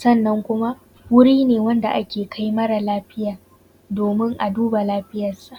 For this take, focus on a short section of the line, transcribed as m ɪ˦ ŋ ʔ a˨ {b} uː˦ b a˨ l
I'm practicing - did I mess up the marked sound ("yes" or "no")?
yes